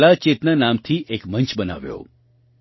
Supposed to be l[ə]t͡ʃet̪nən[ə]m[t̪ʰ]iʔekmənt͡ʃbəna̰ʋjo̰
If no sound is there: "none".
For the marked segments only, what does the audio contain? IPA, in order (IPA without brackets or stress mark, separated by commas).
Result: a, a, t̪ʰ